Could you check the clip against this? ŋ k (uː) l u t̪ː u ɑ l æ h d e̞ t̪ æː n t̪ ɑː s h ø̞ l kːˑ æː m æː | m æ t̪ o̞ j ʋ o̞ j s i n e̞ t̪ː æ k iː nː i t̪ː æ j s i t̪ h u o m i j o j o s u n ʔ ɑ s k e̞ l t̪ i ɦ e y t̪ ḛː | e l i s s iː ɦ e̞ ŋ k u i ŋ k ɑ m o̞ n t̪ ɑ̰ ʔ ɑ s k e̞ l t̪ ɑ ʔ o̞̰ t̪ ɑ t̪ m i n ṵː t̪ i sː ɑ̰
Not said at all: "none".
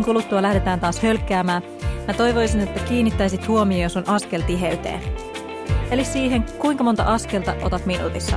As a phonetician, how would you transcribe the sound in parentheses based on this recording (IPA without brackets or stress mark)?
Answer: u